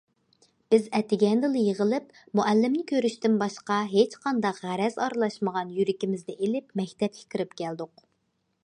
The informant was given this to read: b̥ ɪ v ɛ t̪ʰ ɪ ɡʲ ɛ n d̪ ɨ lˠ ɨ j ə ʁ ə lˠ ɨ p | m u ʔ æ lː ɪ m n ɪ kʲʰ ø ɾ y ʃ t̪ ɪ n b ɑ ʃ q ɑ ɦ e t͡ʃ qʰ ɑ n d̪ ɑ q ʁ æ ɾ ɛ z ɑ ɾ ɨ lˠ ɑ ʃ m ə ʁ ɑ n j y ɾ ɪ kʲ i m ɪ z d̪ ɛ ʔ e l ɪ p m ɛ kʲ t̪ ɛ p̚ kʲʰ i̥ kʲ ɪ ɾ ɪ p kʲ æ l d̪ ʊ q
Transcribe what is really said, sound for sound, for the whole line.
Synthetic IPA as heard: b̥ ɪ z ɛ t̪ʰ ɪ ɡʲ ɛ n d̪ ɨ lˠ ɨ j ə ʁ ə lˠ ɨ p | m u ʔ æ lː ɪ m n ɪ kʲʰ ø ɾ y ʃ t̪ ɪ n b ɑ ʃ q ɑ ɦ e t͡ʃ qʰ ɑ n d̪ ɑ q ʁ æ ɾ ɛ z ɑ ɾ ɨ lˠ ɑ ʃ m ə ʁ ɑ n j y ɾ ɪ kʲ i m ɪ z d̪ ɛ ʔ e l ɪ p m ɛ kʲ t̪ ɛ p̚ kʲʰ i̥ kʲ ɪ ɾ ɪ p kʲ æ l d̪ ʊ q